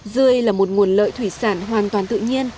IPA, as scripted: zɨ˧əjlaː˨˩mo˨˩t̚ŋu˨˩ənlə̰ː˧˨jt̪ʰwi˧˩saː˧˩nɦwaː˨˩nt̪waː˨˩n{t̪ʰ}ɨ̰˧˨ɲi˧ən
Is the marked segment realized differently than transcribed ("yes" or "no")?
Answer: yes